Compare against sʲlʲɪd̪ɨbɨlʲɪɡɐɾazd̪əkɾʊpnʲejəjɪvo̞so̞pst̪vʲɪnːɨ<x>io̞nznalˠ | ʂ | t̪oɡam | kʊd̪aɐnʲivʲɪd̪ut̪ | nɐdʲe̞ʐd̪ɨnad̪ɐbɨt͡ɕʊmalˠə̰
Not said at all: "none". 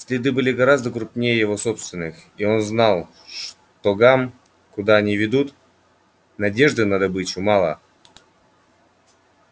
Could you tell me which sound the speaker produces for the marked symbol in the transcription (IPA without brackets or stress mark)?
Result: x